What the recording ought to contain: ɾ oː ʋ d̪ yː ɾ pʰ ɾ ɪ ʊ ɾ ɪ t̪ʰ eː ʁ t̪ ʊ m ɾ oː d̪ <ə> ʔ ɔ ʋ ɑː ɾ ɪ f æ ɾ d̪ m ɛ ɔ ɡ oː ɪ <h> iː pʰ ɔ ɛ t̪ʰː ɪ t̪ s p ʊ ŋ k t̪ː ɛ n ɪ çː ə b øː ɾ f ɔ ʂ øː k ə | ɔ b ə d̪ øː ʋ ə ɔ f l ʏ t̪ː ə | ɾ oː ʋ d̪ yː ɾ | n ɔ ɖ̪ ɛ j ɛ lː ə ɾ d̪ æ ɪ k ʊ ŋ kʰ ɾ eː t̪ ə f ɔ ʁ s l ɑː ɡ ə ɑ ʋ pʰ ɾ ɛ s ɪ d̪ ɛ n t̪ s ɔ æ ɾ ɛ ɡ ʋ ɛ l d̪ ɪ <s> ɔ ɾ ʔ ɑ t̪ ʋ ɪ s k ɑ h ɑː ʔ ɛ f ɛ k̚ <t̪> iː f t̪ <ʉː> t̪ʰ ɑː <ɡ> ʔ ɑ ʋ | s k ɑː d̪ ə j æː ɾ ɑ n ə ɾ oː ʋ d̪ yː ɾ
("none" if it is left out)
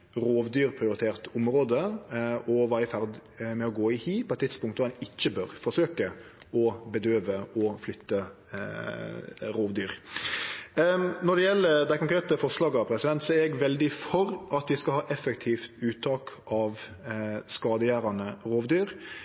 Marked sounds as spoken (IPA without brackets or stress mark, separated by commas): ə, h, f, t̪ʰ, ʉː, k